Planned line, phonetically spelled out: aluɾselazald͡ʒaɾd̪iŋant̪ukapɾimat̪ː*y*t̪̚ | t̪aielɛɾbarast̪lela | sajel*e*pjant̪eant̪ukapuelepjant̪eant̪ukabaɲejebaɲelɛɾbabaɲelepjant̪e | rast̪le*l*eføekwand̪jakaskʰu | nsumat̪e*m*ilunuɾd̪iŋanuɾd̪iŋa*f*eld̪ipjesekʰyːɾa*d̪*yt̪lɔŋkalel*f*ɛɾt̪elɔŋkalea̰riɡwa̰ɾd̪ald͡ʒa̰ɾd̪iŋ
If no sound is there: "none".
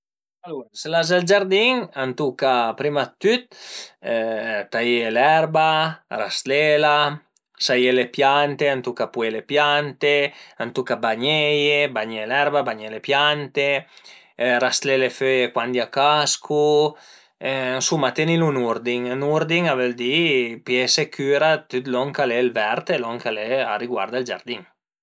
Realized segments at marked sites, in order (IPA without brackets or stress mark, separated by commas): y, e, l, n, v, t̪, v